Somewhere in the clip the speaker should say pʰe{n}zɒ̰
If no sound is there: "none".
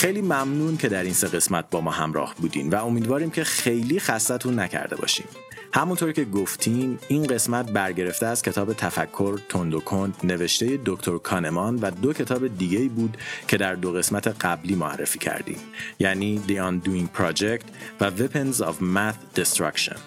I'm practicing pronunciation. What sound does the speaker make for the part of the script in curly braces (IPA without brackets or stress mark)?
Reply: n